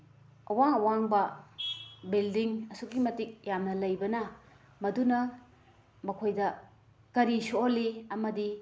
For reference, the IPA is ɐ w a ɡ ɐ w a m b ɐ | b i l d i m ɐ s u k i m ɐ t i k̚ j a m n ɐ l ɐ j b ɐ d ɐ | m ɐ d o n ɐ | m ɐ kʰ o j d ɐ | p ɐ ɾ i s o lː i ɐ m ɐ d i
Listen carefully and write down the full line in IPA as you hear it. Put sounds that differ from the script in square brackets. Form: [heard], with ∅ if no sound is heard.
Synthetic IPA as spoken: ɐ w a [ŋ] ɐ w a [ŋ] b ɐ | b i l d i [ŋ] ɐ s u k i m ɐ t i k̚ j a m n ɐ l ɐ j b ɐ [n] ɐ | m ɐ d [u] n ɐ | m ɐ kʰ o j d ɐ | [k] ɐ ɾ i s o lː i ɐ m ɐ d i

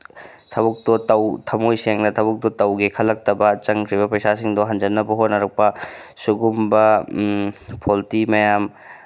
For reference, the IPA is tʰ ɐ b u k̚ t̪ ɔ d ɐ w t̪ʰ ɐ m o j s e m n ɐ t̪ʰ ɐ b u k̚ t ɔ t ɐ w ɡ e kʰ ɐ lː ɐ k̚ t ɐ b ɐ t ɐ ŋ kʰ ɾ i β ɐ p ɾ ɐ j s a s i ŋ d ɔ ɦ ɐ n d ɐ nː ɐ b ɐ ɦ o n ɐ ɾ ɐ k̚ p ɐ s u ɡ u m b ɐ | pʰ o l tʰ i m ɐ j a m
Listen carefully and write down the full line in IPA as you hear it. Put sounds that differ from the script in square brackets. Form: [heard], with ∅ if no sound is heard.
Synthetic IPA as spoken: tʰ ɐ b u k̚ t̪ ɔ [t] ɐ w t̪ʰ ɐ m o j s e [ŋ] n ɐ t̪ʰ ɐ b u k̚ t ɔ t ɐ w ɡ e kʰ ɐ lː ɐ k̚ t ɐ b ɐ [t͡ʃ] ɐ ŋ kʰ ɾ i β ɐ p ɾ ɐ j s a s i ŋ d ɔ ɦ ɐ n [d͡ʒ] ɐ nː ɐ b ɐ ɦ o n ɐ ɾ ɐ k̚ p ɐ s u ɡ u m b ɐ | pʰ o l [t] i m ɐ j a m

